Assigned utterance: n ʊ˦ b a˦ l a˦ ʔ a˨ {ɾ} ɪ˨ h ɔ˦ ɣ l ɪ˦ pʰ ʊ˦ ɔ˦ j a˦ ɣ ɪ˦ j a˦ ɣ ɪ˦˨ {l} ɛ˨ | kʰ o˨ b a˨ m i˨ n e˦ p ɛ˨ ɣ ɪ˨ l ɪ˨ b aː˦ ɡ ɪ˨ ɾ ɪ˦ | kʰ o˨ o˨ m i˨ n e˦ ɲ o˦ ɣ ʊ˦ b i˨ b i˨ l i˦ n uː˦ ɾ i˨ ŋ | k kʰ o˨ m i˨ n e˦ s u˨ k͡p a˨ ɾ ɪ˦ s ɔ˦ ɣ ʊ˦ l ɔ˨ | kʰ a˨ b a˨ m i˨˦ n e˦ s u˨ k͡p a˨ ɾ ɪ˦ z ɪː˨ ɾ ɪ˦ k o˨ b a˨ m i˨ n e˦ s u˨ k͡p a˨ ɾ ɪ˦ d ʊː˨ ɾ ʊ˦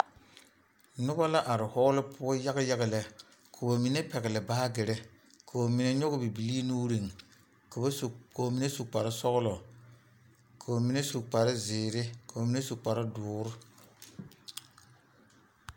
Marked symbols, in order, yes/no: yes, yes

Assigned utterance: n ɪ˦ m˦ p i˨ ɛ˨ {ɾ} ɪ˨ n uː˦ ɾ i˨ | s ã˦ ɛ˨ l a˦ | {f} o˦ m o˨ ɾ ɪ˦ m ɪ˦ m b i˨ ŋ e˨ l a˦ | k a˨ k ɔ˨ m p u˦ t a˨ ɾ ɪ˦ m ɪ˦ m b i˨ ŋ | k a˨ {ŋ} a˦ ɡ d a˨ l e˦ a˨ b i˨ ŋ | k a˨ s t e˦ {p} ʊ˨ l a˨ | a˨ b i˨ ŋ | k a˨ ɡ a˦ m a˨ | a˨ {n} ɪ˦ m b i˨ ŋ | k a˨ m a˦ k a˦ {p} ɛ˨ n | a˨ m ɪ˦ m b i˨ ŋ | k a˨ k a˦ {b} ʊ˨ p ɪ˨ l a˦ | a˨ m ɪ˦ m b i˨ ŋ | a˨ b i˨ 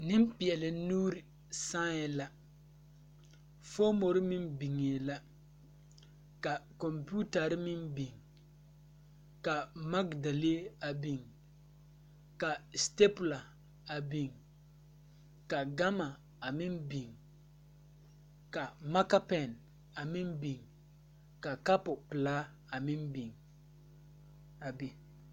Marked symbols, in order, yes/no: no, yes, no, yes, no, yes, no

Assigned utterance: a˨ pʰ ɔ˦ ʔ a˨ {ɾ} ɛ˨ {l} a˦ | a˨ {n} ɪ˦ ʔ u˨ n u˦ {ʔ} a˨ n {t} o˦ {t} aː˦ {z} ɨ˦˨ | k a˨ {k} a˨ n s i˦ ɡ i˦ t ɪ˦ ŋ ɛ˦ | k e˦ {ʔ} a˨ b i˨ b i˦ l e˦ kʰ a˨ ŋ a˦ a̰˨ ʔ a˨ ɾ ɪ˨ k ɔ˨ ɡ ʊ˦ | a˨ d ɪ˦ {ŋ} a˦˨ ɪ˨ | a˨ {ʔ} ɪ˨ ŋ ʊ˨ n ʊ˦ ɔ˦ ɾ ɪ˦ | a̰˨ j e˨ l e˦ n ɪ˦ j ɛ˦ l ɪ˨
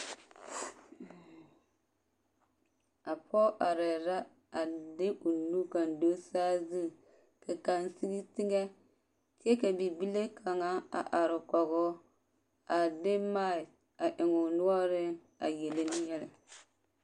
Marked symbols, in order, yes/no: yes, no, no, no, no, no, yes, yes, no, no, yes

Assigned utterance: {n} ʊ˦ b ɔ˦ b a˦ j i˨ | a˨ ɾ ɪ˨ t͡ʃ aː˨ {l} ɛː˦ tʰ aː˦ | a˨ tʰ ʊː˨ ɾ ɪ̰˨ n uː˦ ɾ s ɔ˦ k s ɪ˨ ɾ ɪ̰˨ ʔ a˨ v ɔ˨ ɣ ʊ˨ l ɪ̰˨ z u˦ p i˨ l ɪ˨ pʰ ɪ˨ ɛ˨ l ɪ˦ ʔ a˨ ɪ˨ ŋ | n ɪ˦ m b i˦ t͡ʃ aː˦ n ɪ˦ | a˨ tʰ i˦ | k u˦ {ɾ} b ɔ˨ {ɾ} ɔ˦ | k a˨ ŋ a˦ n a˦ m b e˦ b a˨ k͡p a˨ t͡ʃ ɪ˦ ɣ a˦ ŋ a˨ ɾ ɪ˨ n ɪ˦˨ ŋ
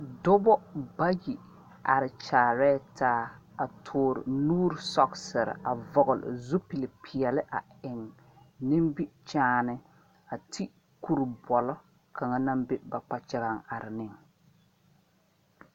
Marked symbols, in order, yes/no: no, no, yes, no

